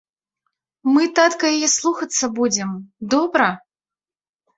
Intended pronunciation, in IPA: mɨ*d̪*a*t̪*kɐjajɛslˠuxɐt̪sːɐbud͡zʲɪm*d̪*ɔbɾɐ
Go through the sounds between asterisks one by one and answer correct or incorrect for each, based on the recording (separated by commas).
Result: incorrect, correct, correct